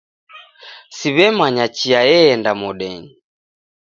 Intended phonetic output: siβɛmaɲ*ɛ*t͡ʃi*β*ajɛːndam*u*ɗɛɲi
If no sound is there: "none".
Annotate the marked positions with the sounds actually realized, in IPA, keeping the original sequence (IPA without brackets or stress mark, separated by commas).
a, none, ɔ